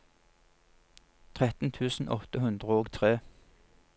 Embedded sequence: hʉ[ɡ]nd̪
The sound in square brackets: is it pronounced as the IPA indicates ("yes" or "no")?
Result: no